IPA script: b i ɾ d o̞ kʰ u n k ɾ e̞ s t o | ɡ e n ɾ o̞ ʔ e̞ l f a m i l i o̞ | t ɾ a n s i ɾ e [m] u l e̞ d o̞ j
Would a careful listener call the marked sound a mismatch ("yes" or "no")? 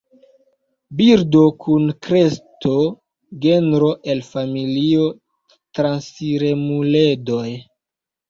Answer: no